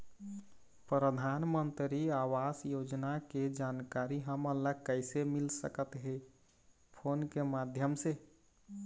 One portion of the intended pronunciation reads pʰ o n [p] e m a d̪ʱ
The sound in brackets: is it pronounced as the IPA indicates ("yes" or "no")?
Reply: no